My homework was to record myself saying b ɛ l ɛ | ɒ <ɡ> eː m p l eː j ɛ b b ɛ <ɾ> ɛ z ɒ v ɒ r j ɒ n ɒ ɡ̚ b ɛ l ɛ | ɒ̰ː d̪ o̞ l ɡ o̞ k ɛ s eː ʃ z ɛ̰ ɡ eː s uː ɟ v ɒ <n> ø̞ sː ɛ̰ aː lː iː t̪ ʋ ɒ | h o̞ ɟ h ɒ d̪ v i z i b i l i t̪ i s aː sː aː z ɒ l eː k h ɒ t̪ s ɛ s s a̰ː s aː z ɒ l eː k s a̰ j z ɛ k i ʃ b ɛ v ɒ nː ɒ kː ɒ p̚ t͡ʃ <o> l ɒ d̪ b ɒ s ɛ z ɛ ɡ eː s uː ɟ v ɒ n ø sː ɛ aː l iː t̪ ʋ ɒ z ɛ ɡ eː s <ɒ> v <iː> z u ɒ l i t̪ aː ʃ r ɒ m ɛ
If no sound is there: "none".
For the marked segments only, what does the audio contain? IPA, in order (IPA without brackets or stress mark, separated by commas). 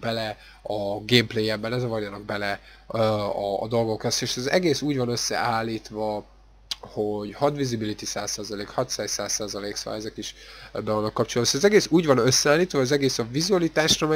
ɡ, l, n, o, ɒ, i